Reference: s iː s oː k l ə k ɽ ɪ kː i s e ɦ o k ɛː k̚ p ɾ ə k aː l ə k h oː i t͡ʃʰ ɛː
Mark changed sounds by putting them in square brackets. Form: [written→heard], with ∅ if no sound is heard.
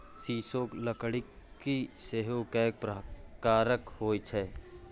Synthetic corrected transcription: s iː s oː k l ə k ɽ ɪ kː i s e ɦ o k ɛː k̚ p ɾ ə k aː [l→ɾ] ə k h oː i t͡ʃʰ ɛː

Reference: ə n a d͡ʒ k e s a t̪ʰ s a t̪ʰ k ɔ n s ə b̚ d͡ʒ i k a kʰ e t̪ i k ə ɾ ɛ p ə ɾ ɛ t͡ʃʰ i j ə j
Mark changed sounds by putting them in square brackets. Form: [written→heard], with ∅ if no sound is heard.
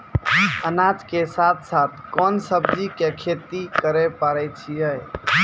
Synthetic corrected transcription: ə n a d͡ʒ k e s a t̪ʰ s a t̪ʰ k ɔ n s ə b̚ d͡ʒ i k [a→e] kʰ e t̪ i k ə ɾ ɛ p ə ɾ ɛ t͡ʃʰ i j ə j

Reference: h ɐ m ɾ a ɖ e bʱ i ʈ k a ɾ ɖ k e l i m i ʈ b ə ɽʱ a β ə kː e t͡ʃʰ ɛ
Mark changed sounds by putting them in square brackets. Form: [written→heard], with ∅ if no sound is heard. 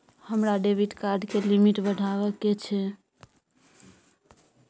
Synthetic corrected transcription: h [ɐ→ə] m ɾ a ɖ e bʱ i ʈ k a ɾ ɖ k e l i m i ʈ b ə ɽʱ a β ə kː e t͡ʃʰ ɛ

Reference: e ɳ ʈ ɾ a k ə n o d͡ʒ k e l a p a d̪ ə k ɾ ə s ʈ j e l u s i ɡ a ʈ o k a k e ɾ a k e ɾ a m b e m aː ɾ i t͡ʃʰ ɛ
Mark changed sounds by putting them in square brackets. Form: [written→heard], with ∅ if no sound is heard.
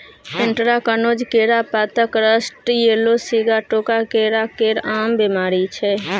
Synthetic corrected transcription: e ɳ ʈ ɾ a k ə n o d͡ʒ k e [l→ɾ] a p a [d̪→t̪] ə k ɾ ə s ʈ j e l [u→o] s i ɡ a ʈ o k a k e ɾ a k e ɾ a m b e m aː ɾ i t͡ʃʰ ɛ

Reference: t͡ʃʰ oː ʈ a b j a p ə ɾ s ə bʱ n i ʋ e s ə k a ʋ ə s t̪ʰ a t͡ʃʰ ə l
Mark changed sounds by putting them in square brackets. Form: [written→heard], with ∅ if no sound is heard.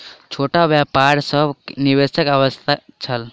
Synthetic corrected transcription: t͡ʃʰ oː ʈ a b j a p [ə→a] ɾ s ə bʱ n i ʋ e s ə k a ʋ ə s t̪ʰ a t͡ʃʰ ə l

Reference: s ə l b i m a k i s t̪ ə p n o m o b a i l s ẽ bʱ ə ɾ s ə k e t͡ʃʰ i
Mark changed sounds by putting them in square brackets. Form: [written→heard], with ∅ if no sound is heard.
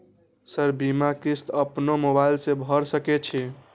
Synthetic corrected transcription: s ə [l→ɾ] b i m a k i s t̪ ə p n o m o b a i l s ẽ bʱ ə ɾ s ə k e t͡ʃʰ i

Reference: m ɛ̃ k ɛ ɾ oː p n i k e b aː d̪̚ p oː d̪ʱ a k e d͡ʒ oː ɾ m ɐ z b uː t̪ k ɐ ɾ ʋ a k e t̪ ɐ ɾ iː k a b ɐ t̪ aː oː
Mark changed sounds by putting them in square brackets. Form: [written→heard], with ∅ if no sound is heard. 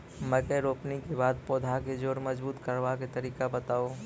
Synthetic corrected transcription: m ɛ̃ k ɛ ɾ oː p n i k e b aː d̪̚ p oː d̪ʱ a k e d͡ʒ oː ɾ m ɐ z b uː t̪ k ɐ ɾ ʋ a k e t̪ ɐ ɾ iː k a b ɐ t̪ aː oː

